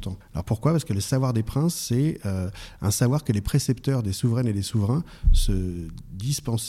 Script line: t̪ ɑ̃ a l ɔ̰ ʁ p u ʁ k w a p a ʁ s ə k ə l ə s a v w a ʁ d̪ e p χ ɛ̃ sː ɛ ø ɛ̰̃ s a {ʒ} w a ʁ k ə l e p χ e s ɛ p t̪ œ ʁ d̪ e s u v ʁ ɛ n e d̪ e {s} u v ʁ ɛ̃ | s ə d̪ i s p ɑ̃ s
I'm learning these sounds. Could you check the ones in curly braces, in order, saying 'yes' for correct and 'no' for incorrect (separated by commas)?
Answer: no, yes